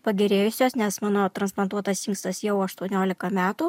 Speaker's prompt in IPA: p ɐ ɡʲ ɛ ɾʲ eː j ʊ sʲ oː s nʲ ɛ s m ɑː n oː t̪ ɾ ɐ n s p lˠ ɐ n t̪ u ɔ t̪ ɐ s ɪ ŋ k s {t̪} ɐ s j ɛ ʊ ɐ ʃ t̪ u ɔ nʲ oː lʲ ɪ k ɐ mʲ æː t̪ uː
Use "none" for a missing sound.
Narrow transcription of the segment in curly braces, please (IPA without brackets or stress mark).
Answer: t̪